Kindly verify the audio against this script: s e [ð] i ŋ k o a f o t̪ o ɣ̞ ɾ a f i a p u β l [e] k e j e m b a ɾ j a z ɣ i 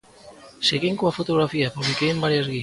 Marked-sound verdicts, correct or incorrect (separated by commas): incorrect, incorrect